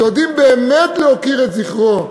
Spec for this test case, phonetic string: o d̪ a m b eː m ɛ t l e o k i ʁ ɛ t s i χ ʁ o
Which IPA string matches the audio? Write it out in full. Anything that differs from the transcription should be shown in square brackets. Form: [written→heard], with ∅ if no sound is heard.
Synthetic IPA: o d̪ [a→i] m b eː m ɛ t l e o k i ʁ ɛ t [s→z] i χ ʁ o